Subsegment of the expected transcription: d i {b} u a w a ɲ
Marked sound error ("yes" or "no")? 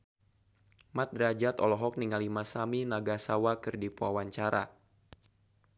yes